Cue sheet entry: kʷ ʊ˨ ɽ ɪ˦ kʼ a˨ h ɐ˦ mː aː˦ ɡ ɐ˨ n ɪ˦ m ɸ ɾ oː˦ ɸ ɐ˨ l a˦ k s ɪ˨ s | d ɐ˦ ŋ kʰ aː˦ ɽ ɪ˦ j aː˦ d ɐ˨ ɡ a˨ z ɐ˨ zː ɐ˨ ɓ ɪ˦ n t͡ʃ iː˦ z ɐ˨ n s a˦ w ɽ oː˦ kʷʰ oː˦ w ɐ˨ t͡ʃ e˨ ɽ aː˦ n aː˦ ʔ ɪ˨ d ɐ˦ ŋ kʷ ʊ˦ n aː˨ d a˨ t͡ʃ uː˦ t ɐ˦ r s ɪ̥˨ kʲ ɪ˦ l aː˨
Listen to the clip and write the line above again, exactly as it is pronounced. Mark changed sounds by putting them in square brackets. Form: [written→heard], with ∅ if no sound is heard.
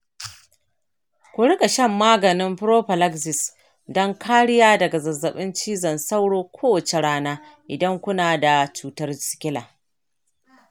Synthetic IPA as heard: kʷ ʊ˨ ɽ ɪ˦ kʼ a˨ [h→ʃ] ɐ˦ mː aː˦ ɡ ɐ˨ n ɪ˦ m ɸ ɾ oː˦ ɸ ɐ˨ l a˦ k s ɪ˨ s | d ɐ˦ ŋ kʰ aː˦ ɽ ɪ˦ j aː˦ d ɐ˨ ɡ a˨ z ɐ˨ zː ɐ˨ ɓ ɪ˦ n t͡ʃ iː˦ z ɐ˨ n s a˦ w ɽ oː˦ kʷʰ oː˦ w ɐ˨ t͡ʃ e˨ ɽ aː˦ n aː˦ ʔ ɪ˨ d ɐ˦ ŋ kʷ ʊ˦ n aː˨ d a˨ t͡ʃ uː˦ t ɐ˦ r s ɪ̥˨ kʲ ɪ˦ l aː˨